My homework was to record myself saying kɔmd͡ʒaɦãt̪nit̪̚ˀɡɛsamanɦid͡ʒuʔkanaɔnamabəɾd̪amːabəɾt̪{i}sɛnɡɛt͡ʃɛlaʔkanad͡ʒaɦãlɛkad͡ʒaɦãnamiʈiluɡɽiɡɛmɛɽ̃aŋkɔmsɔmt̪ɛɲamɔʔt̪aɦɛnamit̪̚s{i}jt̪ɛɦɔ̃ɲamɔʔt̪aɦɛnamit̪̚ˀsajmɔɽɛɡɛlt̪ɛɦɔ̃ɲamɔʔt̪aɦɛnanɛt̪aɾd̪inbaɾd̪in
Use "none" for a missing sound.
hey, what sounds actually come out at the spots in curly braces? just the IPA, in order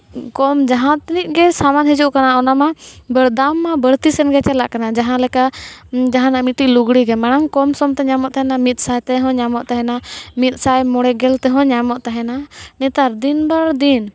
i, a

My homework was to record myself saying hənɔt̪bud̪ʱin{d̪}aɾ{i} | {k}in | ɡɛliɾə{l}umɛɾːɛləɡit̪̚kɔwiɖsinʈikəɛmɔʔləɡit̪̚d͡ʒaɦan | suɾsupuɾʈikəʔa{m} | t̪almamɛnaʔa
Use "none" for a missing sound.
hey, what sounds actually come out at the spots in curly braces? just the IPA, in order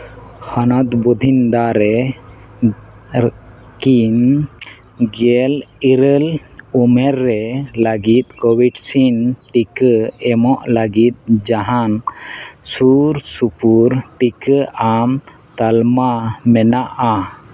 d̪, ɛ, k, l, m

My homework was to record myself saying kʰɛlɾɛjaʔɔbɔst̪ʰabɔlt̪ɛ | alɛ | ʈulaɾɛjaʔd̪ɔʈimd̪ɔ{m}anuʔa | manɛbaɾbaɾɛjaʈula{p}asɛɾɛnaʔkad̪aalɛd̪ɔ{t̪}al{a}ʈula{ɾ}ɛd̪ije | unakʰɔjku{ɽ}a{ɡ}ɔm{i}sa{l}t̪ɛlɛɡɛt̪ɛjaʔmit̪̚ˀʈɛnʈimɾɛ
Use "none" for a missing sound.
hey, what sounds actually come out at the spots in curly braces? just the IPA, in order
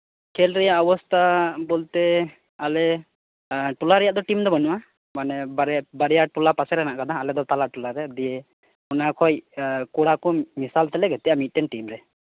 b, p, t̪, a, ɾ, ɽ, k, i, l

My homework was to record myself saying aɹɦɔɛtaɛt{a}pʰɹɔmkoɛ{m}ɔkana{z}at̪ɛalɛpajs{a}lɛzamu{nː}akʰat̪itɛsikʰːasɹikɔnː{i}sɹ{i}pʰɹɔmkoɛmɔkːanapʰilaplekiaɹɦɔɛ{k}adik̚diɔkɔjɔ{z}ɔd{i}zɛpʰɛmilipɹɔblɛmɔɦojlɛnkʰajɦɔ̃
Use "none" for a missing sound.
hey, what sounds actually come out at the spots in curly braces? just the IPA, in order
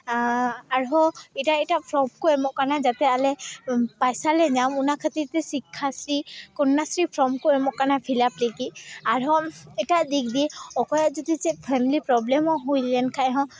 a, m, z, a, n, a, i, t, z, i

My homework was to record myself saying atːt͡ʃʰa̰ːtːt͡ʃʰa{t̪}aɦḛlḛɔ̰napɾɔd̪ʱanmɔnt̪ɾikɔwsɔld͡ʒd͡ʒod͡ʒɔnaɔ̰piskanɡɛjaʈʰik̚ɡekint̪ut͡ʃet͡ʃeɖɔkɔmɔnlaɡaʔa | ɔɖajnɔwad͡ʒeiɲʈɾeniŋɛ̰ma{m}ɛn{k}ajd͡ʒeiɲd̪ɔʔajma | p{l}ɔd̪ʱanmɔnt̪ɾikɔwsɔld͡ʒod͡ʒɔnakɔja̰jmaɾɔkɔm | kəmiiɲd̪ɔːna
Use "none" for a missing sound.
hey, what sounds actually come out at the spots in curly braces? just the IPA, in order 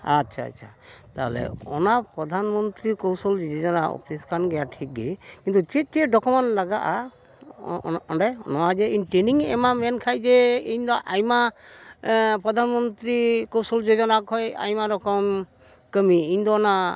t̪, m, kʰ, ɾ

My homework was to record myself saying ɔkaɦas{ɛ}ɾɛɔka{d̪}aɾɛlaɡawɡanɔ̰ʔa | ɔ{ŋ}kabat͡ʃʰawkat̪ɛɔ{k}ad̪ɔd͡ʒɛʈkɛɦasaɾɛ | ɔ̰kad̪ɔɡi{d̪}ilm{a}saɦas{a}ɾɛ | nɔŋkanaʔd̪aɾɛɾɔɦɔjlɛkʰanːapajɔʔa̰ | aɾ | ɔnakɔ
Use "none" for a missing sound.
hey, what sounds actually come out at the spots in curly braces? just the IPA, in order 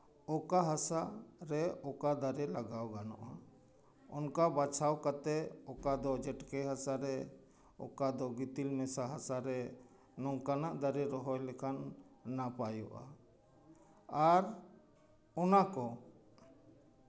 a, d̪, n, k, t̪, ɛ, a

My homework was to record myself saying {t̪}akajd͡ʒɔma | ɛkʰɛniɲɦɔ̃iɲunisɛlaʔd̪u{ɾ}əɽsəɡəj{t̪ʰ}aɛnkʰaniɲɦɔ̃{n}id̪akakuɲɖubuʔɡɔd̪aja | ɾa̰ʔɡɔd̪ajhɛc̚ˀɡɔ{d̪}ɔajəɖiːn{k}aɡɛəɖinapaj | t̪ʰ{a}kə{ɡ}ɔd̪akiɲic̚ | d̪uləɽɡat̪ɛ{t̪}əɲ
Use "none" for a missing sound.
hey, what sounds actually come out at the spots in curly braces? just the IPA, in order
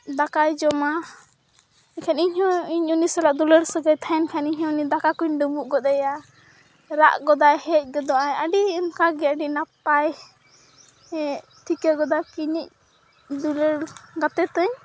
d̪, l, t̪ʰ, n, d̪, k, i, ɡ, t̪

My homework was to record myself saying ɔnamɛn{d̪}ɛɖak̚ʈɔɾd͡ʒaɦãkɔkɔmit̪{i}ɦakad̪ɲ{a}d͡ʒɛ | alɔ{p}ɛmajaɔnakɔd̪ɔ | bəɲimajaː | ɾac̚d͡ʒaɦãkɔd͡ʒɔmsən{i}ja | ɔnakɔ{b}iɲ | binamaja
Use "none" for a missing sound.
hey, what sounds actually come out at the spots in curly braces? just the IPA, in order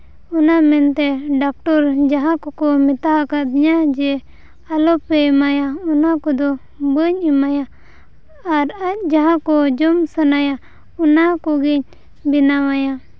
t̪, a, a, p, a, ɡ

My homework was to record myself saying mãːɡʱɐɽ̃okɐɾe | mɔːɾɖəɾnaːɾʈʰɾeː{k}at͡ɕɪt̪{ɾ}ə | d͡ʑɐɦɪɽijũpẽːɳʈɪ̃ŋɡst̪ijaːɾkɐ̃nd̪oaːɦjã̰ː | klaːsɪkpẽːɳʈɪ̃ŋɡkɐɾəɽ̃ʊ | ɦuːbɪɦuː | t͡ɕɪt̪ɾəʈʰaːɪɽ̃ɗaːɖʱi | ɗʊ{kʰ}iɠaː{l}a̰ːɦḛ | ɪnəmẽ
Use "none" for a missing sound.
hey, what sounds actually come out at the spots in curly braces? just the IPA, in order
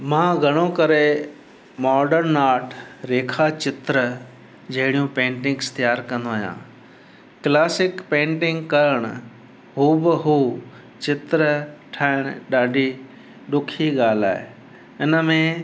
kʰ, ɾ, kʰ, l

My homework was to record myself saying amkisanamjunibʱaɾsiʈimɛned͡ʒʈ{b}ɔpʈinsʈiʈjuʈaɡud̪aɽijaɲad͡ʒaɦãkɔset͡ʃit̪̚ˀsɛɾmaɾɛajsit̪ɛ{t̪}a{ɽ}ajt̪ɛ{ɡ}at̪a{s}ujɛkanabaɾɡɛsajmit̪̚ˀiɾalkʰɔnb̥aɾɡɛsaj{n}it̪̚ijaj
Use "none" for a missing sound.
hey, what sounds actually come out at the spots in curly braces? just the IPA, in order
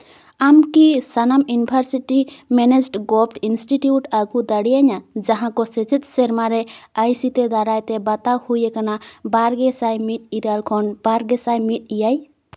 ɡ, d̪, ɾ, b, h, m

